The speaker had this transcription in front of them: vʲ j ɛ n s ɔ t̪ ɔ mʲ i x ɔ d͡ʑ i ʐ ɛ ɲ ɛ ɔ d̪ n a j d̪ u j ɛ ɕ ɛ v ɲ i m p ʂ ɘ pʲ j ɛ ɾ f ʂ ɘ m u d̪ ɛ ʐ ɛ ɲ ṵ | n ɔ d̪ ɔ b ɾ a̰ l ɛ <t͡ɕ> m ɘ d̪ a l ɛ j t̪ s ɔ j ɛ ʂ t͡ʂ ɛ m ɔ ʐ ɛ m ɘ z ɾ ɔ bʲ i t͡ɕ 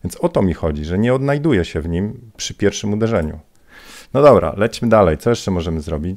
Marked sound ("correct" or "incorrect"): correct